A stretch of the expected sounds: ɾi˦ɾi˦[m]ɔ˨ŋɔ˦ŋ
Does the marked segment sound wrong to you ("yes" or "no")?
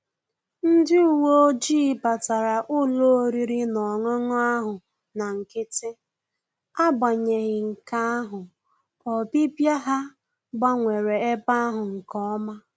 yes